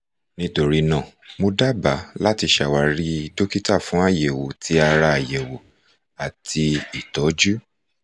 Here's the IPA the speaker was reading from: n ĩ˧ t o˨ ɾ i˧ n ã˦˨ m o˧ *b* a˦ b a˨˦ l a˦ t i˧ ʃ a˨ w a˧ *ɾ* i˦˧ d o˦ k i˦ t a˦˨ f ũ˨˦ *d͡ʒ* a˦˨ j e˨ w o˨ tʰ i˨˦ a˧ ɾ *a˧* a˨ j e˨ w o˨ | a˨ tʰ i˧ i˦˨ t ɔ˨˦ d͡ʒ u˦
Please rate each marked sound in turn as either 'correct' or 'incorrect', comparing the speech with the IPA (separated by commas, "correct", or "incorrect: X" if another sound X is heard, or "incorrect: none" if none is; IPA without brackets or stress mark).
incorrect: d, correct, incorrect: none, correct